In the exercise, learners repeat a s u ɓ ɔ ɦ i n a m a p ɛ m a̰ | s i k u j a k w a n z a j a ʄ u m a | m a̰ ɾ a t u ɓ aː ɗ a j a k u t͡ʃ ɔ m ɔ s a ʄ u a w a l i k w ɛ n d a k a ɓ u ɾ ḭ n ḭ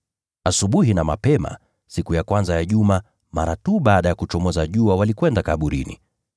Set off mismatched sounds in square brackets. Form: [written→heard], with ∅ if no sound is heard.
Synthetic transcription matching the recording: a s u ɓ [ɔ→u] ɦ i n a m a p ɛ m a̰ | s i k u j a k w a n z a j a ʄ u m a | m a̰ ɾ a t u ɓ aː ɗ a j a k u t͡ʃ ɔ m ɔ [s→z] a ʄ u a w a l i k w ɛ n d a k a ɓ u ɾ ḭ n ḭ